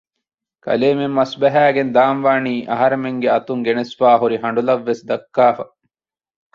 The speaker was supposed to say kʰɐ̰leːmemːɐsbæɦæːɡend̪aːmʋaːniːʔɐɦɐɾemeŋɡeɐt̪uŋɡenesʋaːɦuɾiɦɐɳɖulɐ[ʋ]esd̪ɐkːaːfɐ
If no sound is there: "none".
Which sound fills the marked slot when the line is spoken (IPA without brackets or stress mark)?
ʋː